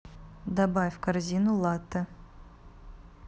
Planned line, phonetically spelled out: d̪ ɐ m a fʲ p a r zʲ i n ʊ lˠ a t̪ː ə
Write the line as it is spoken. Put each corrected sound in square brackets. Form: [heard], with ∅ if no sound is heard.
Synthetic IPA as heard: d̪ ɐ [b] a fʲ [k] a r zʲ i n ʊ lˠ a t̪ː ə